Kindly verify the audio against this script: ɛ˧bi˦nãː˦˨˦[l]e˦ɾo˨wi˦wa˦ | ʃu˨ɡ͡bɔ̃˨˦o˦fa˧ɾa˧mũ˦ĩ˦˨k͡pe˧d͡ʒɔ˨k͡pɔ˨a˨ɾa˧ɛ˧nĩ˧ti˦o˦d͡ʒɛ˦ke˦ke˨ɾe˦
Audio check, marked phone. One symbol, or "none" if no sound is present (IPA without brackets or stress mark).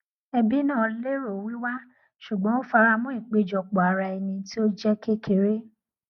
l